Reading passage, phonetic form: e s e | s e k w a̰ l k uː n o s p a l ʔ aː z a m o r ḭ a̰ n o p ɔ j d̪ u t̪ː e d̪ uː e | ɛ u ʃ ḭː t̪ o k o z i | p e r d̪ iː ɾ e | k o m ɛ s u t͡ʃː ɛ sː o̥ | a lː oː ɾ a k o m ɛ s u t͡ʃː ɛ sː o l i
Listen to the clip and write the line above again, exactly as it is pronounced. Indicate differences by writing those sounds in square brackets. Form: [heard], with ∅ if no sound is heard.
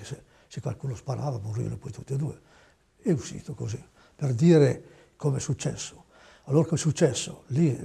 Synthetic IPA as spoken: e s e | s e k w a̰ l k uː n o s p a [ɾ] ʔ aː [v] a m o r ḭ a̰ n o p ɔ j [t̪] u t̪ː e d̪ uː e | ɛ u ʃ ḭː t̪ o k o z i | p e r d̪ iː ɾ e | k o m ɛ s u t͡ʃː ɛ sː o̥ | a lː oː ɾ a k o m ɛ s u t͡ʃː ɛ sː o l i